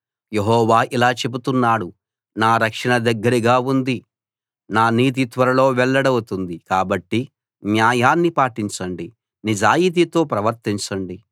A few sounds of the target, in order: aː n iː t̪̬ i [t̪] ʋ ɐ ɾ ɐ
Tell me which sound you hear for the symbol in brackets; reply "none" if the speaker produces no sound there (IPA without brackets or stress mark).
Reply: t̪